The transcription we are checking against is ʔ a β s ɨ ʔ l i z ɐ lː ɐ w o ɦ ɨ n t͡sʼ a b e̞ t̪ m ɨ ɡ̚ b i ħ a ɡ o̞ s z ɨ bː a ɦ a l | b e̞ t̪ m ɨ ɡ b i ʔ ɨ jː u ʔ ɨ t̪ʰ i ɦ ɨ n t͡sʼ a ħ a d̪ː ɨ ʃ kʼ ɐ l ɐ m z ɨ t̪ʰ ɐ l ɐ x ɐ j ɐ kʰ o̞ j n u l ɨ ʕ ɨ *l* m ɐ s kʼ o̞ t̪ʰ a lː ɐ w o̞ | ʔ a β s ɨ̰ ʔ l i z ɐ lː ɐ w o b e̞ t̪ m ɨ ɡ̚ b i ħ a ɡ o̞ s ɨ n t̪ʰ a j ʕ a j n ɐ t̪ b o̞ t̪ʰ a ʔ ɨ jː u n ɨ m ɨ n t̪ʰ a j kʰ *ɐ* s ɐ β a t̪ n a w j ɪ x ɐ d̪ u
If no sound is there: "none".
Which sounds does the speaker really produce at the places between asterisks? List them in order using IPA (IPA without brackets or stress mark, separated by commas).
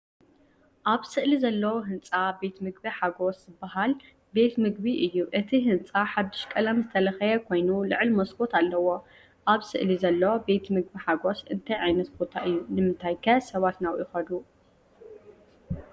l, ɐ